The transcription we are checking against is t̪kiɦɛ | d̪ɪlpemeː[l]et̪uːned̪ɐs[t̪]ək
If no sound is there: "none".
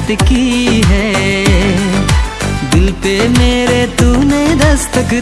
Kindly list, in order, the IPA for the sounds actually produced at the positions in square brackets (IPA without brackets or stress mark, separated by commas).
ɾ, t̪